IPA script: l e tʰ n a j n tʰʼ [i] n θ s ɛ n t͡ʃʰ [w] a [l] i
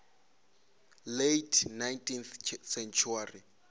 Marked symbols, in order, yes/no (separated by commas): yes, no, no